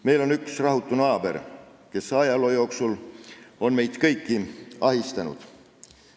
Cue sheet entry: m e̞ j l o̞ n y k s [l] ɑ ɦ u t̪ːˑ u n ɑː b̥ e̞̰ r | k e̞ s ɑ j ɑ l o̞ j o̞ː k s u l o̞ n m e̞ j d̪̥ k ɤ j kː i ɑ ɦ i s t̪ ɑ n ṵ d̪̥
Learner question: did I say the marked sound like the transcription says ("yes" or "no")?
no